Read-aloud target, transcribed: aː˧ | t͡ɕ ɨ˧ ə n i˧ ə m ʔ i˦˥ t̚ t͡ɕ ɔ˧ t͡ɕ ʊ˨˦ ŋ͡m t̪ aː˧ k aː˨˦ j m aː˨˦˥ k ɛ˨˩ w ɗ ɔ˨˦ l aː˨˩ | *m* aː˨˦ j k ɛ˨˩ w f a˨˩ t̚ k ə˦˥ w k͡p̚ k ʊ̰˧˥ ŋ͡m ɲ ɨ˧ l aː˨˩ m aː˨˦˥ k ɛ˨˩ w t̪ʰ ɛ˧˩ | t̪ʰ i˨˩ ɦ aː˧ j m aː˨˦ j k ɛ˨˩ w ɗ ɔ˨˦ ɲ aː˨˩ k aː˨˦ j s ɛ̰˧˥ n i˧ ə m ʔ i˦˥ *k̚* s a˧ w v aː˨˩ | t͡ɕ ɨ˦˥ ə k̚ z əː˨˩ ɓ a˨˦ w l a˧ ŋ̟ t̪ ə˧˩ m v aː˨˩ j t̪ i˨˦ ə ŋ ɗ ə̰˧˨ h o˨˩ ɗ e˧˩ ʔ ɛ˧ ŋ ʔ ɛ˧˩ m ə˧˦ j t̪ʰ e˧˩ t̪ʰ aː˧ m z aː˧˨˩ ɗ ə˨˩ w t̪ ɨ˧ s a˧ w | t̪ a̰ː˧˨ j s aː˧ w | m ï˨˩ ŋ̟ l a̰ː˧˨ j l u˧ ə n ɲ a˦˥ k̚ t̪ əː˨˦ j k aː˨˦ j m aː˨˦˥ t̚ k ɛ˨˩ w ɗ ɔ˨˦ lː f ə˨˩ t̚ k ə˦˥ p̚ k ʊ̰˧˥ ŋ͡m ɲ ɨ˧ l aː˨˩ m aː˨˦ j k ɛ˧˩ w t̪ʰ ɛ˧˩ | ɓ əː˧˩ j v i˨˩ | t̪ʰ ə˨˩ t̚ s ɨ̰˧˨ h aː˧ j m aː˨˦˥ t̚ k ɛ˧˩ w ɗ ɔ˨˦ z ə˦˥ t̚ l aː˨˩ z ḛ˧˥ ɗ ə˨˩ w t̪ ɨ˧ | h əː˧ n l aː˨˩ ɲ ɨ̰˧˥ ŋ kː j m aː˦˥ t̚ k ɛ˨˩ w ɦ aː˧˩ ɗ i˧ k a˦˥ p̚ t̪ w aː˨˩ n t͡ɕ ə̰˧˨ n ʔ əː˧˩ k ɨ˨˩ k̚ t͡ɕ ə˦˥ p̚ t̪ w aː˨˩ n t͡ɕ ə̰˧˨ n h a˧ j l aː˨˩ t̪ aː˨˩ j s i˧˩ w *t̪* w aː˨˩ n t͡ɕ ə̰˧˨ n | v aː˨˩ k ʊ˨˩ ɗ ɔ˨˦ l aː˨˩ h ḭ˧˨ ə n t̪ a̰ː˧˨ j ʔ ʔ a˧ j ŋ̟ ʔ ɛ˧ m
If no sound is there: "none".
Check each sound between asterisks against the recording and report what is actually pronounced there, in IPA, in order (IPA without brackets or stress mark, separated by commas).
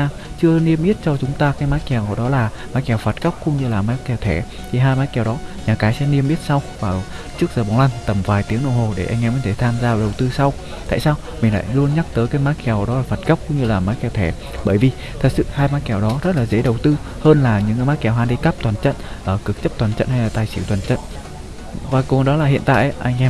m, t̚, t̪